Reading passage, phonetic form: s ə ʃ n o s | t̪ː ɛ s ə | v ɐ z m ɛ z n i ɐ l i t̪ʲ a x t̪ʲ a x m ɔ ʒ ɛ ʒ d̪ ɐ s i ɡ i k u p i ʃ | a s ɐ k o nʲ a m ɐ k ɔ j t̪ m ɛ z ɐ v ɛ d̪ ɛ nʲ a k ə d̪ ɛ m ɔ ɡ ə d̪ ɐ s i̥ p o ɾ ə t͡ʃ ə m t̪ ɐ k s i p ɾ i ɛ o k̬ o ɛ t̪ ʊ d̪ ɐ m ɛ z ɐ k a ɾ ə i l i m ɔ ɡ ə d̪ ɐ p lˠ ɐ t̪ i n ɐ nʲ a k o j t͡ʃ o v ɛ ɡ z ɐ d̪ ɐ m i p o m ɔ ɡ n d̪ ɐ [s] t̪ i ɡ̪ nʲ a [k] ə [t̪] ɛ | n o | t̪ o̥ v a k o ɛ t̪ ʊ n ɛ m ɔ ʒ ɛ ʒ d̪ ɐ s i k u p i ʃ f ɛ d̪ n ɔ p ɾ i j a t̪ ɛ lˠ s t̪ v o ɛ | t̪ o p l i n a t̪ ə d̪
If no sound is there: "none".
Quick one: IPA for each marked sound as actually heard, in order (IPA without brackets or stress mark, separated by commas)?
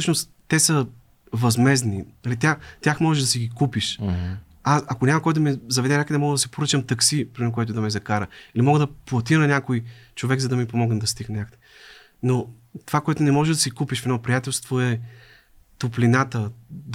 s, k, d̪